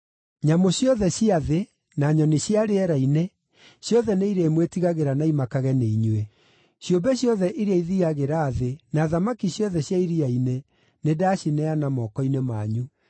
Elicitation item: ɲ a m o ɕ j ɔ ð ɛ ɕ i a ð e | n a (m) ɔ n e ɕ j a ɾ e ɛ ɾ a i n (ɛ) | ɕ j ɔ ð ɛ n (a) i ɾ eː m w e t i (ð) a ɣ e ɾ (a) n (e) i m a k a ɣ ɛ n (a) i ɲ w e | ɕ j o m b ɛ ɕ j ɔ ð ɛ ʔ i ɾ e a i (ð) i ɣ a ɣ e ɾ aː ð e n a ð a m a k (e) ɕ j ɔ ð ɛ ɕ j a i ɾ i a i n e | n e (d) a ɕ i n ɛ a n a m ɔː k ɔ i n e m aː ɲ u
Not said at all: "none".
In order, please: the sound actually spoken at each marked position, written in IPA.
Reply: ɲ, e, e, ɣ, a, a, e, ð, i, d

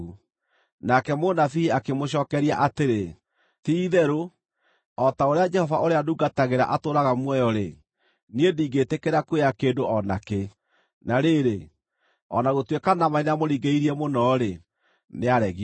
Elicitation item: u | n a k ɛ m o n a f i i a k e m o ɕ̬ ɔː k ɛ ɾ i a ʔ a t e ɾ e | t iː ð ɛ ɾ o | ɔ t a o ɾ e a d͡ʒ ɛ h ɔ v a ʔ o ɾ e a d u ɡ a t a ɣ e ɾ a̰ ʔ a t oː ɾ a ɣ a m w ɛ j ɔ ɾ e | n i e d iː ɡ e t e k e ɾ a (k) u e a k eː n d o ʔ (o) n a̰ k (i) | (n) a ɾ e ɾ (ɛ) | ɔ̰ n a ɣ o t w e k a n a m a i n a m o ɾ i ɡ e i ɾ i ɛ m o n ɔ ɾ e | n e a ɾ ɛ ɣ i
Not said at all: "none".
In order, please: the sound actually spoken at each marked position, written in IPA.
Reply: k, ɔ, e, n, e

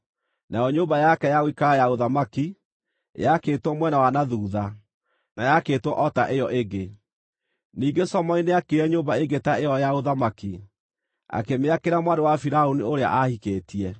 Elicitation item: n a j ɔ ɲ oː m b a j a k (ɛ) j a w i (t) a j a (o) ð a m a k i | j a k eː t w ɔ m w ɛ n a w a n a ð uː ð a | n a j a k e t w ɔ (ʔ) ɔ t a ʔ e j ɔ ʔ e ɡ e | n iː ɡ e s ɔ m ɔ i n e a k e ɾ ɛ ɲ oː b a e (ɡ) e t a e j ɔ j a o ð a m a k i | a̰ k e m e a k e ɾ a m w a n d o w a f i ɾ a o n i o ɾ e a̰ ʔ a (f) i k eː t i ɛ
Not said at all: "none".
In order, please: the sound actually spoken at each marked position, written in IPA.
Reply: ɛ, k, o, ʔ, ɡ, h

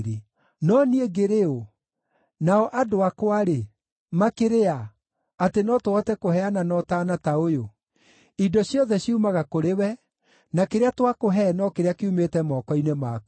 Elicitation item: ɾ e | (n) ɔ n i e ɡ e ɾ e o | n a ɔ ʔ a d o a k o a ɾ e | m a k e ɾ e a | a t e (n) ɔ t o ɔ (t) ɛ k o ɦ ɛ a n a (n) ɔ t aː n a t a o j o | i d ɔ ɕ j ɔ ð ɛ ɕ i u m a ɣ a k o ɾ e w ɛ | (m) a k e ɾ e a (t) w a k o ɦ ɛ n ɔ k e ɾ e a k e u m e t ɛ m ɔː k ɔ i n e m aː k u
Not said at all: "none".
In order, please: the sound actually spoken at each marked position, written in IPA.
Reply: n, n, t, n, n, t

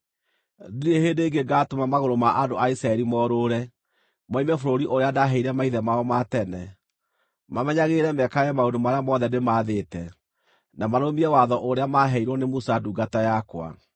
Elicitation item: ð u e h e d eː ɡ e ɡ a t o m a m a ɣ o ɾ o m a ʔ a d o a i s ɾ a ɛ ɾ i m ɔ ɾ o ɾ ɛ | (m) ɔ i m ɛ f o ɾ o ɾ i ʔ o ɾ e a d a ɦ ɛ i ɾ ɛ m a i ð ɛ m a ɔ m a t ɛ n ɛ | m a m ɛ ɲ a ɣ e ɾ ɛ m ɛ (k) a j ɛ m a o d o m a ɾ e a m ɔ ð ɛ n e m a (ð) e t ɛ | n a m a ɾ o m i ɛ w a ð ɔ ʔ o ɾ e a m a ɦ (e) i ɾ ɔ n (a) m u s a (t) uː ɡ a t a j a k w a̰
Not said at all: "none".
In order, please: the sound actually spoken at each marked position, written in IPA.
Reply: m, k, ð, ɛ, e, d

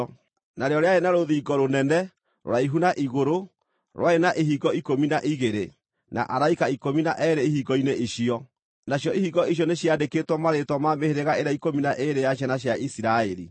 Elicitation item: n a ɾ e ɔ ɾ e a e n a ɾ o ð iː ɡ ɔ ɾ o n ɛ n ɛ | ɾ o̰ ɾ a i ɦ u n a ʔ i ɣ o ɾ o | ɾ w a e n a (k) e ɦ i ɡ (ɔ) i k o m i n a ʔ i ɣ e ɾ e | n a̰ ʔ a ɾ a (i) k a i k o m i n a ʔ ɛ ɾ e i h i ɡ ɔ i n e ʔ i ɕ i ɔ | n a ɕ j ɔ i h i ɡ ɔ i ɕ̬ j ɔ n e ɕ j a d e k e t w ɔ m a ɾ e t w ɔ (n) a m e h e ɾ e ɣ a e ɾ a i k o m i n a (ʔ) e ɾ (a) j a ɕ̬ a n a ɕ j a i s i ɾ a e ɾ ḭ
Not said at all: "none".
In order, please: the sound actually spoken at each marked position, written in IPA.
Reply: ʔ, ɔ, i, m, ʔ, e

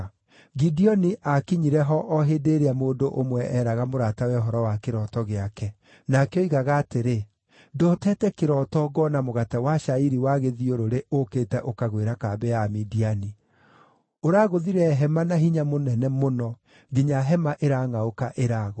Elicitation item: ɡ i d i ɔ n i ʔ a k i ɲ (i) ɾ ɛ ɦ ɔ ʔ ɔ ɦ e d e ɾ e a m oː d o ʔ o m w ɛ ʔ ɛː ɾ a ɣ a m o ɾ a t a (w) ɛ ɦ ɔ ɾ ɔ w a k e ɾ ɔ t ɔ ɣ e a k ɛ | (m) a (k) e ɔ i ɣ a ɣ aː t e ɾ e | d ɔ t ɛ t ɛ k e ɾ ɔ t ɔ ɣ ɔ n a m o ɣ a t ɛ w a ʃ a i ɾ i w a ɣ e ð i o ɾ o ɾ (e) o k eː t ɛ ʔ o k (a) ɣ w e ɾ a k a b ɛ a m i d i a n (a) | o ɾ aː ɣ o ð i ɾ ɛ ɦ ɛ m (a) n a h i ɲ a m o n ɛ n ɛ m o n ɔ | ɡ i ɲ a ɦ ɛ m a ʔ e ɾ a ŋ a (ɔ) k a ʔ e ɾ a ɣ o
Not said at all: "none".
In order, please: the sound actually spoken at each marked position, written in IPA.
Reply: i, w, n, k, e, a, i, a, o

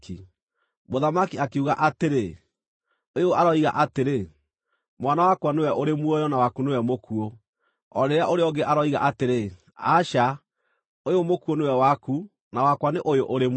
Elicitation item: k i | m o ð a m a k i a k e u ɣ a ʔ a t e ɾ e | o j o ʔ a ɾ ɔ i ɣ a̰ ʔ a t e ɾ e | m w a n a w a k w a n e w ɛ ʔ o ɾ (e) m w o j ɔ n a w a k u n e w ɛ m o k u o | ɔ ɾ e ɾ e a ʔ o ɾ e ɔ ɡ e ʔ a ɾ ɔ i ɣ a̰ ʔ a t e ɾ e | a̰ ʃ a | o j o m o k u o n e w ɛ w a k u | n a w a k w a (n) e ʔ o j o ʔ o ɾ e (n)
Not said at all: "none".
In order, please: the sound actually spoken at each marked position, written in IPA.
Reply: e, n, m

